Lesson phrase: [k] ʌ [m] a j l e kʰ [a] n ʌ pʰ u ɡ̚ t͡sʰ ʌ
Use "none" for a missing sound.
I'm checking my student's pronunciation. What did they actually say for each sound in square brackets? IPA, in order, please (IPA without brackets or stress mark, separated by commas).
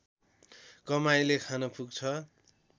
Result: k, m, a